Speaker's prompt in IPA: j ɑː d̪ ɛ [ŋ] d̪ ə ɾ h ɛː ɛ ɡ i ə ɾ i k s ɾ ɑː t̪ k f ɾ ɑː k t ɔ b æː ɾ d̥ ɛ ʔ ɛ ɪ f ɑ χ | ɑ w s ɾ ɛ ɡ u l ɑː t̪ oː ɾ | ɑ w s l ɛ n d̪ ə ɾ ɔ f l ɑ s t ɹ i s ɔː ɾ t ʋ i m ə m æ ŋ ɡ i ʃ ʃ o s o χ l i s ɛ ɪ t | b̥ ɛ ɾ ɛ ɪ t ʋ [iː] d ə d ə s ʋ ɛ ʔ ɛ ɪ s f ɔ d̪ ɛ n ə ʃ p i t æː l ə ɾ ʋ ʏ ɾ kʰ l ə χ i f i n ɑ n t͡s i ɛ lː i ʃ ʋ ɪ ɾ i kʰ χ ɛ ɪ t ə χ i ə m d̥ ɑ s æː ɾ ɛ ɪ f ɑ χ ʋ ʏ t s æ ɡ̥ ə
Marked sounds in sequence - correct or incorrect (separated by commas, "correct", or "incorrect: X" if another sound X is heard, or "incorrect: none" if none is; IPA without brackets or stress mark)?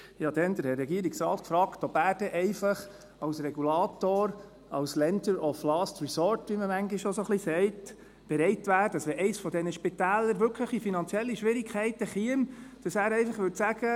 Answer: incorrect: n, incorrect: æː